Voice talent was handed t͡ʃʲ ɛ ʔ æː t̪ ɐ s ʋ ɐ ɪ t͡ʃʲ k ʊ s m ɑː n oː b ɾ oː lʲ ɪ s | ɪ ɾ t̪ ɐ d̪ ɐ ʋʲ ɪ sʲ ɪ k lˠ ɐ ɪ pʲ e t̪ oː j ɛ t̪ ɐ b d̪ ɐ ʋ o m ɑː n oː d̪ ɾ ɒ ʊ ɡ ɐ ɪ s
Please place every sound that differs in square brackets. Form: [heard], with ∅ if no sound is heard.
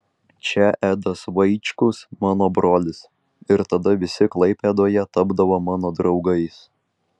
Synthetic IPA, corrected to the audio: t͡ʃʲ ɛ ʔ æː [d̪] ɐ s ʋ ɐ ɪ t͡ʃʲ k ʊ s m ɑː n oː b ɾ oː lʲ ɪ s | ɪ ɾ t̪ ɐ d̪ ɐ ʋʲ ɪ sʲ ɪ k lˠ ɐ ɪ pʲ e [d̪] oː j ɛ t̪ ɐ b d̪ ɐ ʋ o m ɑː n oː d̪ ɾ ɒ ʊ ɡ ɐ ɪ s